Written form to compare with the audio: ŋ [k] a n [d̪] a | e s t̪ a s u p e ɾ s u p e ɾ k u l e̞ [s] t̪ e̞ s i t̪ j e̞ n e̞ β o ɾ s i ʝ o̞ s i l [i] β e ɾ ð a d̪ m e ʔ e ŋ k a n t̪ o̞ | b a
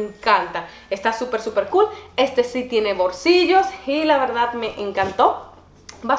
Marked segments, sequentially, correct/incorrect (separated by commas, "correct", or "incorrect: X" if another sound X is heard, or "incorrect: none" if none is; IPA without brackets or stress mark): correct, incorrect: t̪, correct, incorrect: a